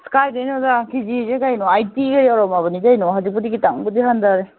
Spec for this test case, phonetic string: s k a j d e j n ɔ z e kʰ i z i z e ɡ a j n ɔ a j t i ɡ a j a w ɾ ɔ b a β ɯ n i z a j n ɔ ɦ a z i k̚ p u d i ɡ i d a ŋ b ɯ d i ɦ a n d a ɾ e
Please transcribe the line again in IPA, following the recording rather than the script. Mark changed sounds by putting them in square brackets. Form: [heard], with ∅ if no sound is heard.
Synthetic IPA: s k a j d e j n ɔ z [a] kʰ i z i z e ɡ a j n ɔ a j t i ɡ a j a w ɾ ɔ [m] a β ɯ n i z a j n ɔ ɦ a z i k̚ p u d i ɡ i [t] a ŋ b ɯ d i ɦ a n d a ɾ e